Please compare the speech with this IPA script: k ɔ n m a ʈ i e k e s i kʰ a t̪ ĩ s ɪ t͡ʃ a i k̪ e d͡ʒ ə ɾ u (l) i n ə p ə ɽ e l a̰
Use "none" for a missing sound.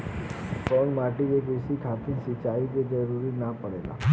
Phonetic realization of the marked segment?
ɾ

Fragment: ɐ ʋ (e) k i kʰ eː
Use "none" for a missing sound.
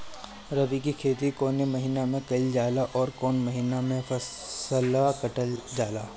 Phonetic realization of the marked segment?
i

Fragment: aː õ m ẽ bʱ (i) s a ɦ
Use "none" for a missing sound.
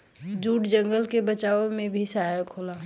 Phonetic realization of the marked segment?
i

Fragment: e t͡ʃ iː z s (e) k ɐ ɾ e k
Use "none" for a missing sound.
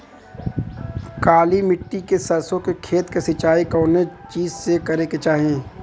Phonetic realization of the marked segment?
e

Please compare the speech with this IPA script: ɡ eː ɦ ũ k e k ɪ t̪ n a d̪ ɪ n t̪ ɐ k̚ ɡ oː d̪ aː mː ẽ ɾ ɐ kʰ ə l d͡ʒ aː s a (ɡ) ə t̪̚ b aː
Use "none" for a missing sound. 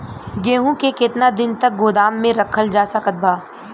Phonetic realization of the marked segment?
k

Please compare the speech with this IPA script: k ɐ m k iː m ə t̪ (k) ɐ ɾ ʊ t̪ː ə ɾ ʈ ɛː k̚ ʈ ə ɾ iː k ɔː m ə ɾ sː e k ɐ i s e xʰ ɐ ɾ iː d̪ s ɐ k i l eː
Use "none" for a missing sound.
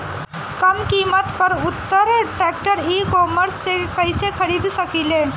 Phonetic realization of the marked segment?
p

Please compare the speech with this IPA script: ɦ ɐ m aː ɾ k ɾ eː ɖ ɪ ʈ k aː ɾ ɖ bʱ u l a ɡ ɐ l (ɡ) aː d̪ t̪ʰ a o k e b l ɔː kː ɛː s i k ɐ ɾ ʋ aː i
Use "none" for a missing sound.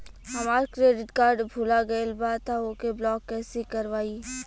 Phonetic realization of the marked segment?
b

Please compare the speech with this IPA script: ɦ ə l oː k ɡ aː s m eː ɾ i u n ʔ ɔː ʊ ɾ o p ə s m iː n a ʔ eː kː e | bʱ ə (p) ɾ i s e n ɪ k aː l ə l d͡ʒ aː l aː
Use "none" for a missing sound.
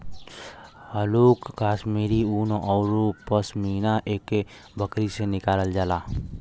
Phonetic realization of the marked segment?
k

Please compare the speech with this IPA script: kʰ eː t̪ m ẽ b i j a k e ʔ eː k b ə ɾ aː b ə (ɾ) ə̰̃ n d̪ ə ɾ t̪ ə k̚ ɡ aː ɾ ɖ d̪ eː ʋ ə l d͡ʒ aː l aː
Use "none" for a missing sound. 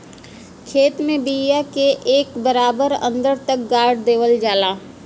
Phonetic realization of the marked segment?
ɾ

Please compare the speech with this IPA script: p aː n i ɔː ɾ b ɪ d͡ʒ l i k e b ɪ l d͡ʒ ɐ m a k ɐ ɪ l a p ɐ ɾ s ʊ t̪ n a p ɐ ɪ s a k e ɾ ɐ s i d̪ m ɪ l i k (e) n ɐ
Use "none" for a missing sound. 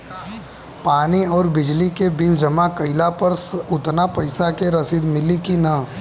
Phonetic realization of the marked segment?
i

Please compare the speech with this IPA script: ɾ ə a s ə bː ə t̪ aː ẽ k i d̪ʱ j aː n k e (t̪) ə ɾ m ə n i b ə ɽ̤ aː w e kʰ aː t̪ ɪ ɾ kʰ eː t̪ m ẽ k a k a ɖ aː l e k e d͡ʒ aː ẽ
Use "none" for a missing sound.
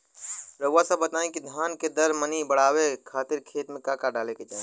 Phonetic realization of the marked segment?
d̪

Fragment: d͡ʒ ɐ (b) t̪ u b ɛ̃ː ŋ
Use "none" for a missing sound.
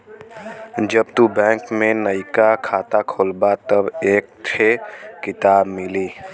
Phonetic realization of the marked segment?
b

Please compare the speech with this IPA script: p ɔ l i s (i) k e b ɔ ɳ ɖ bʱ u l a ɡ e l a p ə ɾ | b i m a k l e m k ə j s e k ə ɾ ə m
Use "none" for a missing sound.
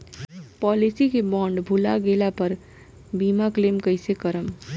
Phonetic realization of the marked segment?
i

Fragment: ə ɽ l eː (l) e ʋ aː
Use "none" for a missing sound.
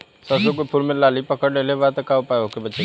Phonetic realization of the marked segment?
l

